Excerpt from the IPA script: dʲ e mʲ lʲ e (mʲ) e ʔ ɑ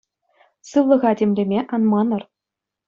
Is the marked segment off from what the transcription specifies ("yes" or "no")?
no